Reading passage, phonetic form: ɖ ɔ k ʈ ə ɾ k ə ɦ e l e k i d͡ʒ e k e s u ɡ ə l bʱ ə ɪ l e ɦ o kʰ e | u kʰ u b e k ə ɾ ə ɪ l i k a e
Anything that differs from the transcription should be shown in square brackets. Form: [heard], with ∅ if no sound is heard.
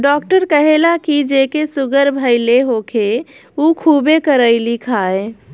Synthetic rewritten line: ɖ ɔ k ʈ ə ɾ k ə ɦ e l [a] k i d͡ʒ e k e s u ɡ ə [ɾ] bʱ ə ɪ l e ɦ o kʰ e | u kʰ u b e k ə ɾ ə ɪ l i [kʰ] a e